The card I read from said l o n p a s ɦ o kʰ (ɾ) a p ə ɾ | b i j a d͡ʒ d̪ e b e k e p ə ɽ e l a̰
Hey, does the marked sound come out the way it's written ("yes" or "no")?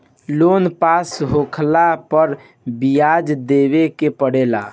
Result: no